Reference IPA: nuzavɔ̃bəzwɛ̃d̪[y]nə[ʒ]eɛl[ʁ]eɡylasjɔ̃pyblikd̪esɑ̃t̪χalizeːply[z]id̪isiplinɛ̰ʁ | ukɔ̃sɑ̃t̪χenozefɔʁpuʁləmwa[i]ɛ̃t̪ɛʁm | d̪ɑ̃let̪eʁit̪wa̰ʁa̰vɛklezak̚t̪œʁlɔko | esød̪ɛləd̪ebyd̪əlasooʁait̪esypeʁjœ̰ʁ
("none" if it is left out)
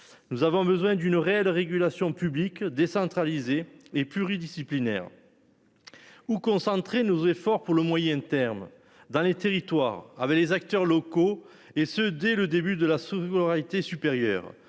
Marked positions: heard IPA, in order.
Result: y, ʁ, ʁ, ʁ, j

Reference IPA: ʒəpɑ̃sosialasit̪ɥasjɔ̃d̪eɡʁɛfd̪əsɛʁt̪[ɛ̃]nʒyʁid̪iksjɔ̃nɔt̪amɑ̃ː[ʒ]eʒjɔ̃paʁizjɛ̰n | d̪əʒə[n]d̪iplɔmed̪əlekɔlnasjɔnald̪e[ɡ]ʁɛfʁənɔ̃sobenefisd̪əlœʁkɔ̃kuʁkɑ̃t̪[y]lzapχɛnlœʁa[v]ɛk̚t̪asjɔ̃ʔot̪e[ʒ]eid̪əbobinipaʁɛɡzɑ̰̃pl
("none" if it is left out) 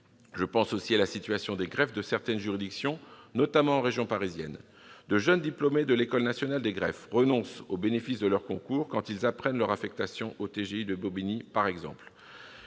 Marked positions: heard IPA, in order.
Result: ɛ, ʁ, n, ɡ, i, f, ʒ

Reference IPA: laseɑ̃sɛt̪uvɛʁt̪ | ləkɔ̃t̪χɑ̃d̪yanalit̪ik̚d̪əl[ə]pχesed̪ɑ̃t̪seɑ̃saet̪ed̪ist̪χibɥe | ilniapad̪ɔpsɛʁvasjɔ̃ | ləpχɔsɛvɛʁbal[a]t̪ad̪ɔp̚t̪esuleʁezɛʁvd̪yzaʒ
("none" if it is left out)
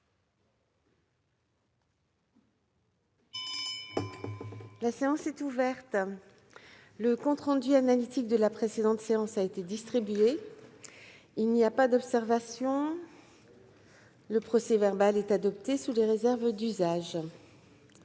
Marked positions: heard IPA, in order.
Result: a, ɛ

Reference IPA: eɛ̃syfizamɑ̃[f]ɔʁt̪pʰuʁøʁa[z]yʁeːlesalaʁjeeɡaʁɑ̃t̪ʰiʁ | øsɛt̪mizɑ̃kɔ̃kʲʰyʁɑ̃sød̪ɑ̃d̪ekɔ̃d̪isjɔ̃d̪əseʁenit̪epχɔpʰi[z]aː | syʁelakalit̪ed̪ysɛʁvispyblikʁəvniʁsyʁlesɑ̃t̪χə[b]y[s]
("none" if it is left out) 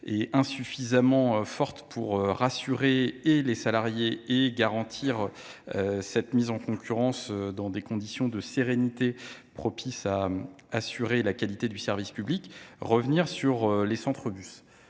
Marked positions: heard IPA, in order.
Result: f, s, s, b, s

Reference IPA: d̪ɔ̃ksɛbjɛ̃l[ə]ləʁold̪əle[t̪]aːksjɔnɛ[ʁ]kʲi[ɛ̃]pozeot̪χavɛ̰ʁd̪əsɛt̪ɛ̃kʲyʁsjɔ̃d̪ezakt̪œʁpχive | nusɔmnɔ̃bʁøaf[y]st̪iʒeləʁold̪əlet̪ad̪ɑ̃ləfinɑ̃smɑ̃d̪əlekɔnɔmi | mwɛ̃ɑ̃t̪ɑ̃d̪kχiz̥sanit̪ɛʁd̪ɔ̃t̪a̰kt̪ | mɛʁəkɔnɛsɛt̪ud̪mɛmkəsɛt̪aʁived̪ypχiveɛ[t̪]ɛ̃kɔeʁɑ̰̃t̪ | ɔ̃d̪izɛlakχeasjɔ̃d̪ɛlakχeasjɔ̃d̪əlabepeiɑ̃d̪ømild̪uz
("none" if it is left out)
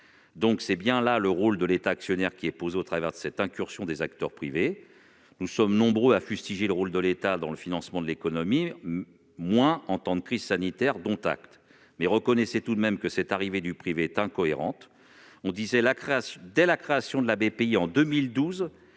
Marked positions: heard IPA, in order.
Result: a, t̪, ʁ, ɛ, y, t̪

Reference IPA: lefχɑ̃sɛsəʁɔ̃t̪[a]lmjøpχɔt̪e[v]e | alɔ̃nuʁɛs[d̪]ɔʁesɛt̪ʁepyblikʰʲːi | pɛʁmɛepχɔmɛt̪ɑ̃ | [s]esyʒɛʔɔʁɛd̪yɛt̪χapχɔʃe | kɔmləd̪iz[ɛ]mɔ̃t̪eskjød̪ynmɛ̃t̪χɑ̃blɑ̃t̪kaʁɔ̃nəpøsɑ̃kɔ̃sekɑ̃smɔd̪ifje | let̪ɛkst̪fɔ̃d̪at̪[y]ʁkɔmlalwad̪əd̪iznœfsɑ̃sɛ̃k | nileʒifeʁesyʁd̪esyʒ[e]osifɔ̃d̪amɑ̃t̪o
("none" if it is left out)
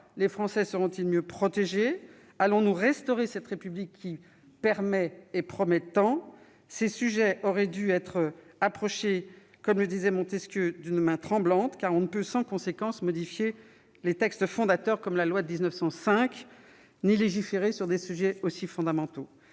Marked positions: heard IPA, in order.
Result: i, ʒ, t̪, s, ɛ, œ, ɛ

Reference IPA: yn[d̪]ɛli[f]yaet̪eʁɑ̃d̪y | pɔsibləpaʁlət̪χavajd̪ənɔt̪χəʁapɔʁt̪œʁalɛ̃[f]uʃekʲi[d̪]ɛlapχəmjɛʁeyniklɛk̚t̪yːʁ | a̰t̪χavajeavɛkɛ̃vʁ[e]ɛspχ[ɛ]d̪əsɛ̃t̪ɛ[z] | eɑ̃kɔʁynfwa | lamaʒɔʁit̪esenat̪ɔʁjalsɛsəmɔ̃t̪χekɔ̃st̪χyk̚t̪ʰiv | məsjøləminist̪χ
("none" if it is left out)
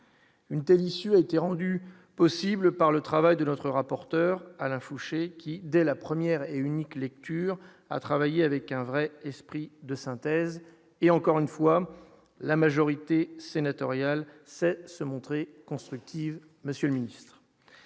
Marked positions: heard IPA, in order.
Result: t̪, s, f, d̪, ɛ, i, z

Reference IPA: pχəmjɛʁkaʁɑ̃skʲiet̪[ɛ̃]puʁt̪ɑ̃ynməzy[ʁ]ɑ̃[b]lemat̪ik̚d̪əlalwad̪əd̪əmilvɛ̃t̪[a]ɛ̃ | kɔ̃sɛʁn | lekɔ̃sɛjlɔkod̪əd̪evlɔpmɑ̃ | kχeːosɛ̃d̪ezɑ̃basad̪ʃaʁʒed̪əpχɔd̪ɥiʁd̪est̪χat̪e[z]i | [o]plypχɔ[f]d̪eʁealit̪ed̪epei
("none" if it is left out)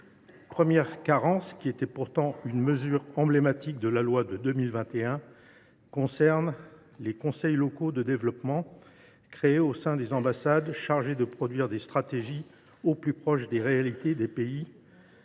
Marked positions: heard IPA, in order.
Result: ɛ, ʁ, b, e, ʒ, o, ʃ

